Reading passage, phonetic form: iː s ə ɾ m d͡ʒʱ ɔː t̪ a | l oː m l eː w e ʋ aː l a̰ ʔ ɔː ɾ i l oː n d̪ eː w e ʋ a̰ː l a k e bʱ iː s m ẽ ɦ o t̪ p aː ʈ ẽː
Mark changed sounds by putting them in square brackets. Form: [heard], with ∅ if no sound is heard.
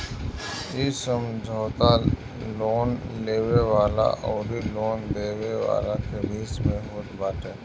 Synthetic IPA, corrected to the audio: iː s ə [∅] m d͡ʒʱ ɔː t̪ a | l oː [n] l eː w e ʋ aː l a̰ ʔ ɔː ɾ i l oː n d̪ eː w e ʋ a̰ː l a k e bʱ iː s m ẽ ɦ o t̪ [b] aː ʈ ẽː